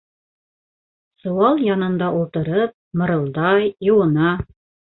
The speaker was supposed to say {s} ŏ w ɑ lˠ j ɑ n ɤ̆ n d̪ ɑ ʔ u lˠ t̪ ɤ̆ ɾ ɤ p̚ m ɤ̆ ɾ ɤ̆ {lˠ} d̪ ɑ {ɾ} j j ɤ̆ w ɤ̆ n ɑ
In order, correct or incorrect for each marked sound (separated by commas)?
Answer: correct, correct, incorrect